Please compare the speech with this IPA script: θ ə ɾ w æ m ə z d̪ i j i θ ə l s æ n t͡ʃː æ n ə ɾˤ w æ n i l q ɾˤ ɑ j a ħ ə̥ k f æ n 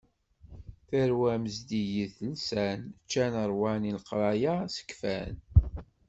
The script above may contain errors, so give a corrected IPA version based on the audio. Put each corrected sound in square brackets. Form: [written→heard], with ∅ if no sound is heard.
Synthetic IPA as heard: θ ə ɾ w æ m ə z d̪ i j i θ ə l s æ n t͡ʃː æ n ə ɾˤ w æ n i l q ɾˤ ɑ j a [ħ→s] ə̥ k f æ n